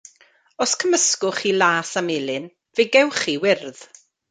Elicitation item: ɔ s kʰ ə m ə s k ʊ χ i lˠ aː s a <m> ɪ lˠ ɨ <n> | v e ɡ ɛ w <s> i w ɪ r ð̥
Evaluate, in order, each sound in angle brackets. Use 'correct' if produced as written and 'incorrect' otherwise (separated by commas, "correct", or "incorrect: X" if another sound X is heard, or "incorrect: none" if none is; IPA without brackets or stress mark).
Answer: correct, correct, incorrect: χ